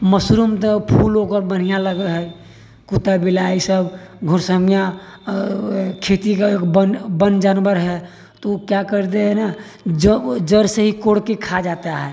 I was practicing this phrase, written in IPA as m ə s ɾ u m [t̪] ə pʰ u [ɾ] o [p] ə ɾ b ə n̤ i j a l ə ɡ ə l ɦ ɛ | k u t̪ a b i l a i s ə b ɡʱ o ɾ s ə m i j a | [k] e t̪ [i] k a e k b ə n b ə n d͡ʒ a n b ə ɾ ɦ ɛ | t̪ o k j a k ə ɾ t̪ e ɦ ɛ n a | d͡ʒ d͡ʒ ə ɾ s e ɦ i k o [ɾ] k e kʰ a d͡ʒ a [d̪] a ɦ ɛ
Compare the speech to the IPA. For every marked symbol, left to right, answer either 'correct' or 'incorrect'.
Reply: correct, incorrect, incorrect, incorrect, correct, incorrect, incorrect

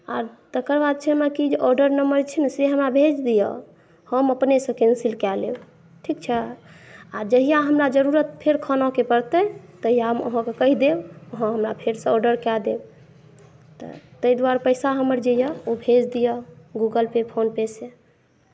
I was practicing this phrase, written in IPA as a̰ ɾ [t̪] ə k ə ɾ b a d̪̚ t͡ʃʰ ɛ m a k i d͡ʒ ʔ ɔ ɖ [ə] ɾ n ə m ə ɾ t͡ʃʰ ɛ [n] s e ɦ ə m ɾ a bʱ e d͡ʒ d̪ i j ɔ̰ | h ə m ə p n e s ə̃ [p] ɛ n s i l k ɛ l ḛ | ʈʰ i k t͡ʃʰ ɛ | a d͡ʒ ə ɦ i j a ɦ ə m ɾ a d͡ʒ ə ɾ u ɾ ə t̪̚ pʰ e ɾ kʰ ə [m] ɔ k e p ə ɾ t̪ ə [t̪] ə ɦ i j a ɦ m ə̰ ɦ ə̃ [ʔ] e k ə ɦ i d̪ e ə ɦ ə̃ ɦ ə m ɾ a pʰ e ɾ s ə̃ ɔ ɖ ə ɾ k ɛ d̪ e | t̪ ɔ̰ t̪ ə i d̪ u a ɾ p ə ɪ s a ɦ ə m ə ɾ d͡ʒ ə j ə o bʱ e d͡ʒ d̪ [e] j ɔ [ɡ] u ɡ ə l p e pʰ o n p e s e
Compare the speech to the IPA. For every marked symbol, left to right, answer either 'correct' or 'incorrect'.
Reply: correct, correct, correct, incorrect, incorrect, correct, incorrect, incorrect, correct

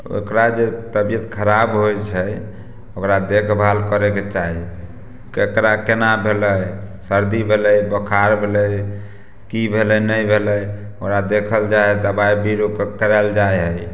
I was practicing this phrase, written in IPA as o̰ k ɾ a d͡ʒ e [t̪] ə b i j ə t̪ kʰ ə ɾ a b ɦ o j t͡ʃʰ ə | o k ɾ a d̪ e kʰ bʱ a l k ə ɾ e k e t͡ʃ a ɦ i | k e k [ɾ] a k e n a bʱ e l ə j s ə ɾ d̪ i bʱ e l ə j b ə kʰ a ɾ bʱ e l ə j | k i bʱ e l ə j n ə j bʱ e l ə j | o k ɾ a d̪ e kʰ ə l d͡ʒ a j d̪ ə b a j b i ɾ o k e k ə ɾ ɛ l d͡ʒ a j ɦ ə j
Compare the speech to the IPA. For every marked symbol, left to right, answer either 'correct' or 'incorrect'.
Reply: correct, correct

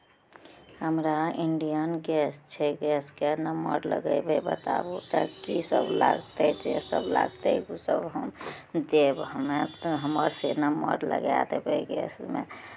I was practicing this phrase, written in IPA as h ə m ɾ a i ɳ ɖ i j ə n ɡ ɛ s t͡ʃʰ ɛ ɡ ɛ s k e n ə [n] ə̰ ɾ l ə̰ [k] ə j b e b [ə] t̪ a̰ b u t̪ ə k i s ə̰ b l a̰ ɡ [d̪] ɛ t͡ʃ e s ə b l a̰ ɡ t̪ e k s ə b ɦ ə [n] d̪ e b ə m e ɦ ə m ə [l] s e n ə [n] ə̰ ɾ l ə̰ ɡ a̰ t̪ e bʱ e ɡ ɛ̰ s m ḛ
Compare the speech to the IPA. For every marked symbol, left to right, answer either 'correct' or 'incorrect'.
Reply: incorrect, incorrect, correct, incorrect, incorrect, incorrect, incorrect

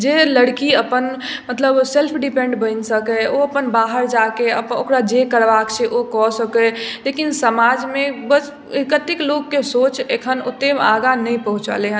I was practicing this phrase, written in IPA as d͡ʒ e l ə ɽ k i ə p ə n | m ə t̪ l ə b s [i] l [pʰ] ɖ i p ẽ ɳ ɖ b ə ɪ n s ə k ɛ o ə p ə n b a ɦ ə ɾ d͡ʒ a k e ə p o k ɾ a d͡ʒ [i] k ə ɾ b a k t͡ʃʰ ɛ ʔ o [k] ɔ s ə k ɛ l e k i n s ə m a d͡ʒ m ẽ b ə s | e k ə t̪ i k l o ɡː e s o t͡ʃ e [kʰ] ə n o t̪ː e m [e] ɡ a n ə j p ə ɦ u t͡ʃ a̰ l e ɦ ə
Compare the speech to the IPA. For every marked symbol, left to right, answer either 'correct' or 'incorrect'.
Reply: incorrect, correct, incorrect, correct, correct, incorrect

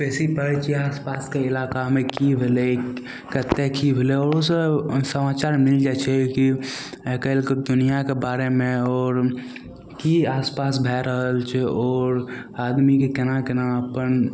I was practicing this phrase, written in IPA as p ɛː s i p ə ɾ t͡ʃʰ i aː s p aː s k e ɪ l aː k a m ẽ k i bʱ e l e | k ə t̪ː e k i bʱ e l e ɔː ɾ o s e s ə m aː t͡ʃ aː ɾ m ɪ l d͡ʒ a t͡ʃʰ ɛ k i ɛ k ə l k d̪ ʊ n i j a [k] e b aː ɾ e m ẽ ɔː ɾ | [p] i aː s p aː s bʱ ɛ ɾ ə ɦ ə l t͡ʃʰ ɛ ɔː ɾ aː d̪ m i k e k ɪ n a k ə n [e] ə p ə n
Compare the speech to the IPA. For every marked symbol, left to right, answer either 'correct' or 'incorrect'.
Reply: correct, incorrect, incorrect

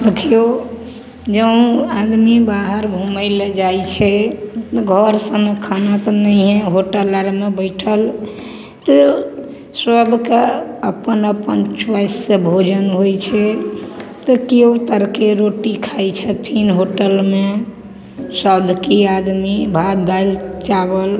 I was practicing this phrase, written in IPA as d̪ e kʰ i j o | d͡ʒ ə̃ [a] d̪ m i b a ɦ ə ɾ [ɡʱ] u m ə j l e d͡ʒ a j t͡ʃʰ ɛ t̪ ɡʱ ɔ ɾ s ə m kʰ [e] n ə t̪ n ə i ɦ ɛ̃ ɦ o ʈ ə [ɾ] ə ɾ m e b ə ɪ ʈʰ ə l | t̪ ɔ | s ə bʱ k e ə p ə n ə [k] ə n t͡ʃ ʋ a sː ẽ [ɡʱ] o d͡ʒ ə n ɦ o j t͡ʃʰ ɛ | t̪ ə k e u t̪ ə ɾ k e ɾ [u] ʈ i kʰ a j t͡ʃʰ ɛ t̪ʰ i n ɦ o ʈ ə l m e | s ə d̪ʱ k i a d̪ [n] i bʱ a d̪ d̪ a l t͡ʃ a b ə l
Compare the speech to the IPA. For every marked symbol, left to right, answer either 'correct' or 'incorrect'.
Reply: correct, incorrect, incorrect, incorrect, incorrect, incorrect, incorrect, incorrect

